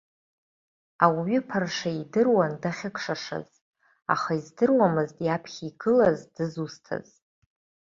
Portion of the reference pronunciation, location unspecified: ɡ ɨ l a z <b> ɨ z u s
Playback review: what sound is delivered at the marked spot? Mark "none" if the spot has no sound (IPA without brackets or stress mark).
d